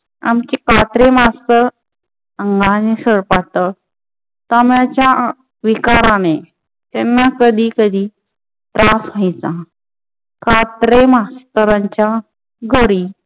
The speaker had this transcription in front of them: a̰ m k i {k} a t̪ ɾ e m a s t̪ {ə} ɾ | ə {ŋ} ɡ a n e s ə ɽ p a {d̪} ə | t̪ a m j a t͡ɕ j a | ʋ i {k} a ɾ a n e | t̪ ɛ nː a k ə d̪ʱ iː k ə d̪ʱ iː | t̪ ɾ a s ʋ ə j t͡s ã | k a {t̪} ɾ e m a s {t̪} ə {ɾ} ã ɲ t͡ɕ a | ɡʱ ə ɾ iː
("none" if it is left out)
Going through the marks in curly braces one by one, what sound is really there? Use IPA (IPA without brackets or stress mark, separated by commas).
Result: k, ə, ŋ, t̪, k, t̪, t̪, ɾ